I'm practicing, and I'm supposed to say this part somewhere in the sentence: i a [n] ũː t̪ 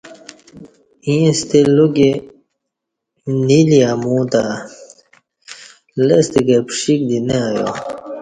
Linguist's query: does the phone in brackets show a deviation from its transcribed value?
yes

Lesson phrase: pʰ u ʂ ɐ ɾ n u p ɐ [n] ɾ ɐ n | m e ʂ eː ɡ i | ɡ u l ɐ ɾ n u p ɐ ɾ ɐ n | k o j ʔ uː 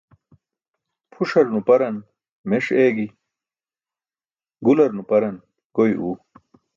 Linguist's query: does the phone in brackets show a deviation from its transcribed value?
yes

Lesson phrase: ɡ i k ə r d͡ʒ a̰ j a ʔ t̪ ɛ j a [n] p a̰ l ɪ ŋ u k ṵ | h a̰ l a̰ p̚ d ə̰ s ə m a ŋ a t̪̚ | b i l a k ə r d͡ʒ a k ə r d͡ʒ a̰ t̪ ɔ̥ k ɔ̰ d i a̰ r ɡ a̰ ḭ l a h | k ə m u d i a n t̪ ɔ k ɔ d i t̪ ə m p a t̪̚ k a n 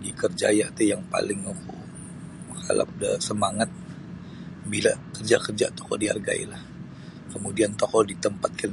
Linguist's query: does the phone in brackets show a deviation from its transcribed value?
yes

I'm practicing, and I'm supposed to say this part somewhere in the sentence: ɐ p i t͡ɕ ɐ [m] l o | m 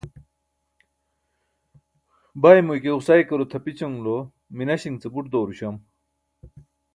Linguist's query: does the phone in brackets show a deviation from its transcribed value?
yes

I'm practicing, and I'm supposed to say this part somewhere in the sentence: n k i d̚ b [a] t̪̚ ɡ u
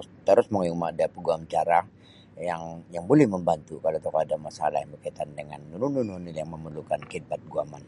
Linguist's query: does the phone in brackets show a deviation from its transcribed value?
no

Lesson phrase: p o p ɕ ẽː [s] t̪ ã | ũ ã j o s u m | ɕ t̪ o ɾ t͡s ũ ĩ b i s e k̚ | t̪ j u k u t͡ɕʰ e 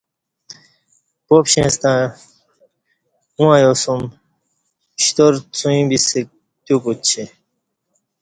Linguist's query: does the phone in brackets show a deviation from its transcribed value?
no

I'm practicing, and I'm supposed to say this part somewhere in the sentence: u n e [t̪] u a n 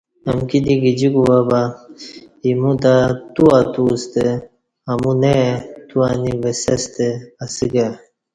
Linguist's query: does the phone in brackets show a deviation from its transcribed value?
no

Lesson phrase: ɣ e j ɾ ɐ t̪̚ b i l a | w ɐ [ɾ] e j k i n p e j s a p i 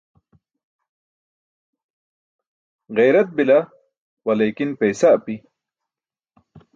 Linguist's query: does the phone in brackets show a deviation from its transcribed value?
yes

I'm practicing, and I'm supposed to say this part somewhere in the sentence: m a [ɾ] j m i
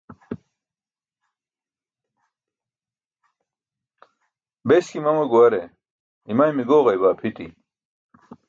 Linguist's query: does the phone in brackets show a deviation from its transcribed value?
yes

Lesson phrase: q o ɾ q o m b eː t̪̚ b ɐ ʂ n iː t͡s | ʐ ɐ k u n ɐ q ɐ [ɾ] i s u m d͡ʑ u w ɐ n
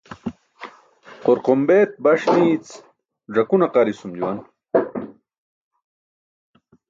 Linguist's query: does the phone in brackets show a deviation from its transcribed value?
no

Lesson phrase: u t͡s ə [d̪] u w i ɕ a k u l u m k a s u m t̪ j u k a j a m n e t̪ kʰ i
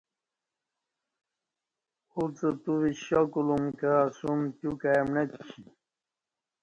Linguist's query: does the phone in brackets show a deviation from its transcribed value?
yes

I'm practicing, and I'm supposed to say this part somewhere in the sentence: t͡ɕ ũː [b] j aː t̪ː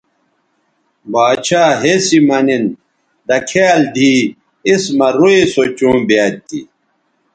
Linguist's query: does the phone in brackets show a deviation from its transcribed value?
no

